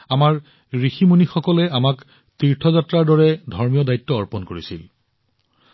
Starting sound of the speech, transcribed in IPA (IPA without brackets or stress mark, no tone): a